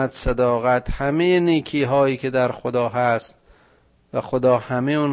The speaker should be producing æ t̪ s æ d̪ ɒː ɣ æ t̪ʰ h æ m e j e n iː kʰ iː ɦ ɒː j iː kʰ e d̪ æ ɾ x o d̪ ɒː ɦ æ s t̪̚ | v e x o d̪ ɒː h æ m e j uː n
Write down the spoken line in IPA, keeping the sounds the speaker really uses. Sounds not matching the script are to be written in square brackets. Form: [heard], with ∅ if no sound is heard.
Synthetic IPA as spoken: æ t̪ s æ d̪ ɒː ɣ æ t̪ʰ h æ m e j e n iː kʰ iː ɦ ɒː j iː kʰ e d̪ æ ɾ x o d̪ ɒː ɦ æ s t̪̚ | v [æ] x o d̪ ɒː h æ m e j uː n